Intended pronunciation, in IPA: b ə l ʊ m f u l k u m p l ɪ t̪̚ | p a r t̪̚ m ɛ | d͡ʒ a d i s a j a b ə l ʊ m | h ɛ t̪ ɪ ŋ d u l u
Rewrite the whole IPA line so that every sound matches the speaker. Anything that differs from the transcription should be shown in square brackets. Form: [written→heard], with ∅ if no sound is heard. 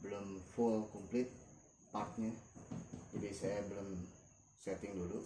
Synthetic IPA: b ə l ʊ m f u l k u m p l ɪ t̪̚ | p a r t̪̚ [m→ɲ] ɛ | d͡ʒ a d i s a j a b ə l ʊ m | [h→s] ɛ t̪ ɪ ŋ d u l u